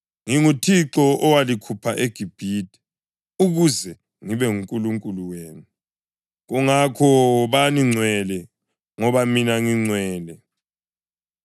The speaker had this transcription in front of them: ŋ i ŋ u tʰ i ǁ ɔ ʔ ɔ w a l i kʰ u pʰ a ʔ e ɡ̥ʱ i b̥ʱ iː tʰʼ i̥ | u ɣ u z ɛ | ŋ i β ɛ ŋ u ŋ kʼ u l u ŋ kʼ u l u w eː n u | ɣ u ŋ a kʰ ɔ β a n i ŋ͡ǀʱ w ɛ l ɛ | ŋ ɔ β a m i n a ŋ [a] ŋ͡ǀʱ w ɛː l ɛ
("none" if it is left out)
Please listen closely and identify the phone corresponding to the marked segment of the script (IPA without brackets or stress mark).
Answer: i